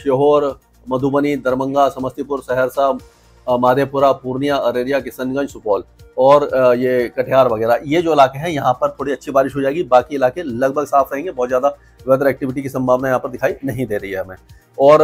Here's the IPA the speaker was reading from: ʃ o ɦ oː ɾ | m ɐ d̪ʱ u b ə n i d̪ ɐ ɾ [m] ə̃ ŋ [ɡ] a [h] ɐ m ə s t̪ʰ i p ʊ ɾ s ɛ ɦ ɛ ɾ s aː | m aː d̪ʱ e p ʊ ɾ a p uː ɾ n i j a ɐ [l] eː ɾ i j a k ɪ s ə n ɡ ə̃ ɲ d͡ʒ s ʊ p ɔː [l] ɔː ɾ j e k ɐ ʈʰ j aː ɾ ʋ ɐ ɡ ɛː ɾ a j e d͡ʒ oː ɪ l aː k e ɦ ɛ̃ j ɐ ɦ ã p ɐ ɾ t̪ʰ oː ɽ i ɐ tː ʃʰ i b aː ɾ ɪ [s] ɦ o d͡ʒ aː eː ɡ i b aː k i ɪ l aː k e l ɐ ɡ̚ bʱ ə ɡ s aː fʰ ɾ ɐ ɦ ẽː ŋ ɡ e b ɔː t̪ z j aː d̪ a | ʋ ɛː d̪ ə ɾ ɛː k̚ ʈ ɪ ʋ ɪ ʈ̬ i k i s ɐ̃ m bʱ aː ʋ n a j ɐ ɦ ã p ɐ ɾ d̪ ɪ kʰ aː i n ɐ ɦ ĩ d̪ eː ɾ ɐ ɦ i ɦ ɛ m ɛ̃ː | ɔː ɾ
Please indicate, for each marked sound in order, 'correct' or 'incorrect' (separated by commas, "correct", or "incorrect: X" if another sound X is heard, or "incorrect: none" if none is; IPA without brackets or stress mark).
correct, correct, incorrect: s, incorrect: ɾ, correct, incorrect: ʃ